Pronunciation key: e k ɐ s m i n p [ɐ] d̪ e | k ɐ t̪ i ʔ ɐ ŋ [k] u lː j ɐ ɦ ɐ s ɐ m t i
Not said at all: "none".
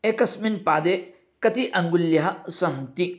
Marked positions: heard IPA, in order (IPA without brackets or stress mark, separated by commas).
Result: a, ɡ